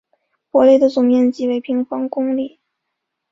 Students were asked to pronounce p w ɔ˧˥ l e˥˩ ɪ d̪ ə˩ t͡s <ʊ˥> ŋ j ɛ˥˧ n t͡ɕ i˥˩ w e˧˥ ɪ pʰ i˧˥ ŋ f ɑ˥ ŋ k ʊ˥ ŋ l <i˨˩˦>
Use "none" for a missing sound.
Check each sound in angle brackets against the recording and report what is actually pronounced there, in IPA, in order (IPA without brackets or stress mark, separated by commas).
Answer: ʊ˨˩, i˥˩